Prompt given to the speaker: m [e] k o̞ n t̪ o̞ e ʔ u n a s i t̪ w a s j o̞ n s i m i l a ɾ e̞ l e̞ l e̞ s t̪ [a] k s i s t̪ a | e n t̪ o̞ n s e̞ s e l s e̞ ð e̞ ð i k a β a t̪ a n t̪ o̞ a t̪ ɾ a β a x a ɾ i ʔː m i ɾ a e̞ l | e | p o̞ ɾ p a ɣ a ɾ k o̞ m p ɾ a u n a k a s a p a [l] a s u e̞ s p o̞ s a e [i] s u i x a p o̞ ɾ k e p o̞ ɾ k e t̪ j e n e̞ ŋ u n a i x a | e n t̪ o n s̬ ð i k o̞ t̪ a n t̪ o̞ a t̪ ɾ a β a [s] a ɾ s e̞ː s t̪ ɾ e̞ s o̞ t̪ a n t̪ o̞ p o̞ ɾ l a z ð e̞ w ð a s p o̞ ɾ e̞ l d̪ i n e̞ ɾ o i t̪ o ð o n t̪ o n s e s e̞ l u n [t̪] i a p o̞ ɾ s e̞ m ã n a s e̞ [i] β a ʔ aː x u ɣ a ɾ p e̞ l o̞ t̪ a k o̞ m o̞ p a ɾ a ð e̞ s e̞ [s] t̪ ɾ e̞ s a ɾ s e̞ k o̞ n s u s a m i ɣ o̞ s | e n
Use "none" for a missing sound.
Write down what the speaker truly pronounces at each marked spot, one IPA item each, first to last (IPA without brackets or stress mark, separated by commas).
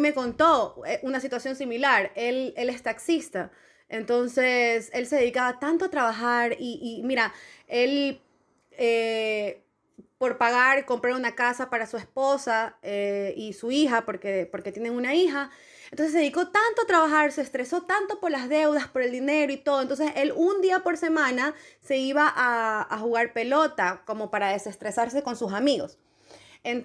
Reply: e, a, ɾ, i, x, d̪, i, s